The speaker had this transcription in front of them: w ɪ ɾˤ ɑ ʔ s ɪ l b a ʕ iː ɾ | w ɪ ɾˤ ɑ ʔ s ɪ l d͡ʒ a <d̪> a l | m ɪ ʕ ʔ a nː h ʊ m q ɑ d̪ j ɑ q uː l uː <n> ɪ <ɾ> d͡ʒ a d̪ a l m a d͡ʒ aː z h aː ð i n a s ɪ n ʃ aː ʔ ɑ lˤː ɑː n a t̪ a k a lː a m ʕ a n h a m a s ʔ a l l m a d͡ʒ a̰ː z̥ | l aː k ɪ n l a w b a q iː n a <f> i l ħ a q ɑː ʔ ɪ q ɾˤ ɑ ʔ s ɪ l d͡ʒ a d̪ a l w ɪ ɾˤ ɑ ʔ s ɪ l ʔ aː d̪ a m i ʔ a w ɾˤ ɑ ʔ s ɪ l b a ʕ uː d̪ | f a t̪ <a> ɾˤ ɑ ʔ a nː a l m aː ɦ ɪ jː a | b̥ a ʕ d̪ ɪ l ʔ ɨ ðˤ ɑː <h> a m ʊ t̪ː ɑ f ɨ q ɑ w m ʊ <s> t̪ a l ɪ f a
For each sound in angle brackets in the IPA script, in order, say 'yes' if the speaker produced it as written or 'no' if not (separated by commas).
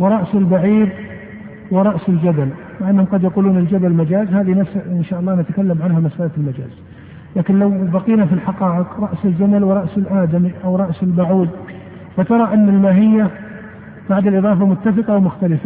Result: yes, yes, no, yes, no, no, no